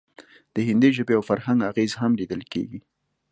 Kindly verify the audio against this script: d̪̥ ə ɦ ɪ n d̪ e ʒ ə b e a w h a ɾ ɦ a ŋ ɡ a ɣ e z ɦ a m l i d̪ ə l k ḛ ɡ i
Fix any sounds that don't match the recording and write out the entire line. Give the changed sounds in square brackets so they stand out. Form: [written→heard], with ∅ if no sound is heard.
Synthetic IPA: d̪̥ ə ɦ ɪ n d̪ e ʒ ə b e a w [h→f] a ɾ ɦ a ŋ ɡ a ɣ e z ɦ a m l i d̪ ə l k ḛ ɡ i